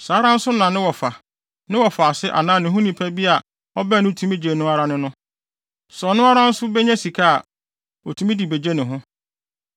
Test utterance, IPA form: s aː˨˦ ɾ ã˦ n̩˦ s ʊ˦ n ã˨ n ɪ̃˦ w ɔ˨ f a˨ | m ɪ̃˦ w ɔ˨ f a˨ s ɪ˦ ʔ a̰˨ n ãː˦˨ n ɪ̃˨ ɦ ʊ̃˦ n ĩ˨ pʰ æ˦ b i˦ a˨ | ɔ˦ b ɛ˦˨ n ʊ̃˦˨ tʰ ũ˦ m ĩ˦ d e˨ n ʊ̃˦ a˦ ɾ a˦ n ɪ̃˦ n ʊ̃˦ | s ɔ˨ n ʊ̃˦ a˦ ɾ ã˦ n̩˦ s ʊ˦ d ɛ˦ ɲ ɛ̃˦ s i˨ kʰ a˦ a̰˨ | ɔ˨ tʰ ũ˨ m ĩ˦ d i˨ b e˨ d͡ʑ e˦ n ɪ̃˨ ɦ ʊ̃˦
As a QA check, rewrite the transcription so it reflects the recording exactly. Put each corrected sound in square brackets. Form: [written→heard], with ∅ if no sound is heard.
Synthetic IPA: s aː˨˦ ɾ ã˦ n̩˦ s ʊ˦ n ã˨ n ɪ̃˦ w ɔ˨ f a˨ | [m→n] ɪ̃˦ w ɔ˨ f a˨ s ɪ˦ ʔ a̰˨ n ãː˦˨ n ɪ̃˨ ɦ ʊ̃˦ n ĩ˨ pʰ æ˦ b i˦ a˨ | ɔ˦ b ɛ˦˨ n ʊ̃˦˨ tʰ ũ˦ m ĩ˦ [d→d͡ʑ] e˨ n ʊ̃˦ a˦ ɾ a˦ n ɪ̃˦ n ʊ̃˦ | s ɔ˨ n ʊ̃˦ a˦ ɾ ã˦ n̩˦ s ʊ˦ [d→b] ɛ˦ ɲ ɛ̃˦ s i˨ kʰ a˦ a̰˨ | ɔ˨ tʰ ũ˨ m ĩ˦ d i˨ b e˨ d͡ʑ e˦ n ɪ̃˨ ɦ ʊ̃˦